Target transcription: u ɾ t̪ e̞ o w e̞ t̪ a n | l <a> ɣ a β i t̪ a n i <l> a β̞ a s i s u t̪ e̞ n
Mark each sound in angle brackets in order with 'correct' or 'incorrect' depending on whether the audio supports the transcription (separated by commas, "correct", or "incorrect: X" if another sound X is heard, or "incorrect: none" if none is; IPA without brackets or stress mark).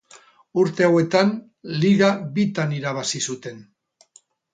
incorrect: i, incorrect: ɾ